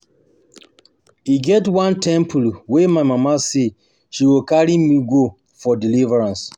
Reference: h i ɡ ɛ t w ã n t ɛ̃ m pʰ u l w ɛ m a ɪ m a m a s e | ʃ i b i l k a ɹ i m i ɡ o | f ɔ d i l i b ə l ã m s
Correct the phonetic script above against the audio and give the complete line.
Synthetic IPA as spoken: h i ɡ ɛ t w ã n t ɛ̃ m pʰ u l w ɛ m a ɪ m a m a s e | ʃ i w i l k a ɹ i m i ɡ o | f ɔ d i l i v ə ɹ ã n s